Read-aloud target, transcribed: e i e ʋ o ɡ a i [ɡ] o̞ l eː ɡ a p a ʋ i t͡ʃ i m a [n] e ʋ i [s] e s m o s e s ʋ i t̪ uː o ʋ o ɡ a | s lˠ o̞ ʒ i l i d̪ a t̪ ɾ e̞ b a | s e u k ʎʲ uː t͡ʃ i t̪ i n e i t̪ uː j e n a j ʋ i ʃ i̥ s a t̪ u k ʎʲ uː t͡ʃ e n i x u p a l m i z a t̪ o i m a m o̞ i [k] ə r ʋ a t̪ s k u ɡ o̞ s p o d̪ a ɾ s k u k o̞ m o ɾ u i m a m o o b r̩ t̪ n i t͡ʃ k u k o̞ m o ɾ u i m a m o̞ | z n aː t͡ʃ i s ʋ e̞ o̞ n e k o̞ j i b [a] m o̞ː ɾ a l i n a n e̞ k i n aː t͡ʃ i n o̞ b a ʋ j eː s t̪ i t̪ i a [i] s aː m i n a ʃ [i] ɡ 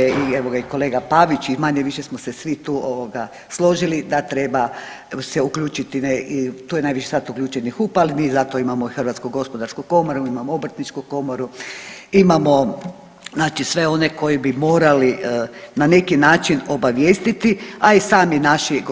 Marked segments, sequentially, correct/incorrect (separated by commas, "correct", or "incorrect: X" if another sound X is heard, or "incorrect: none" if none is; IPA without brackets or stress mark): incorrect: k, incorrect: ɲ, incorrect: ʃ, incorrect: x, incorrect: i, correct, correct